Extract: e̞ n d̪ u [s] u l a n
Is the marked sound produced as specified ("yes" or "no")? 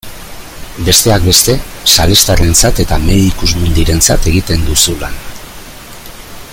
yes